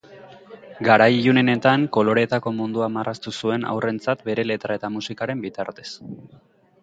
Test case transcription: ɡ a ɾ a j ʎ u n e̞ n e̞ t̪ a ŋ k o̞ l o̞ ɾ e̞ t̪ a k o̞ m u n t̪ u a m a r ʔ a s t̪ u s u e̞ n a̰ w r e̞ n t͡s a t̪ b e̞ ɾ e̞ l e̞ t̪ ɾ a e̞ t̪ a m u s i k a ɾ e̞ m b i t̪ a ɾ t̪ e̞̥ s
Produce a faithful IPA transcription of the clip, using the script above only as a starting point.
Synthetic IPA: ɡ a ɾ a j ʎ u n e̞ n e̞ t̪ a ŋ k o̞ l o̞ ɾ e̞ t̪ a k o̞ m u n d̪ u a m a r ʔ a s t̪ u s u e̞ n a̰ w r e̞ n t͡s a t̪ b e̞ ɾ e̞ l e̞ t̪ ɾ a e̞ t̪ a m u s i k a ɾ e̞ m b i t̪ a ɾ t̪ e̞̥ s